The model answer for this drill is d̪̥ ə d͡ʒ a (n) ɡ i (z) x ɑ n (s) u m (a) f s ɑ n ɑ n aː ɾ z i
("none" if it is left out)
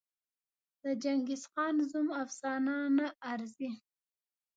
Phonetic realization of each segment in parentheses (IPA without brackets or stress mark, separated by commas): ŋ, s, z, a